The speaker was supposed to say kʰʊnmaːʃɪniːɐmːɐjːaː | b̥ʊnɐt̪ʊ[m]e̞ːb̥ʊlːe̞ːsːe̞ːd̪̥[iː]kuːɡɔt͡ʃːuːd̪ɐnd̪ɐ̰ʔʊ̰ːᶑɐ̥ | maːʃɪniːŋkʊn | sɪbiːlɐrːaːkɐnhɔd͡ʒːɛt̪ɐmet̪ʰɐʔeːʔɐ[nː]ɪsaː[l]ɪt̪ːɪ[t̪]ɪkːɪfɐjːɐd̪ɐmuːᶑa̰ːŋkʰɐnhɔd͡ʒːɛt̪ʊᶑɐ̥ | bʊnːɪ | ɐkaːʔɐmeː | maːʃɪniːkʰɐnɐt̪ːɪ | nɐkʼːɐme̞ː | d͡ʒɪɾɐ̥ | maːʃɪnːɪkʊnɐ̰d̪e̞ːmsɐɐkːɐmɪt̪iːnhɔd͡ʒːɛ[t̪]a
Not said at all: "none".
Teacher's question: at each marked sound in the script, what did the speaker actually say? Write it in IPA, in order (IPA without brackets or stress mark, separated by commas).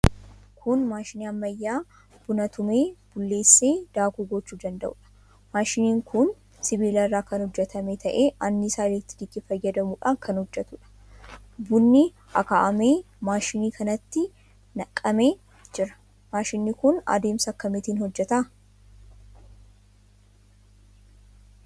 m, aː, nː, l, d̪, t̪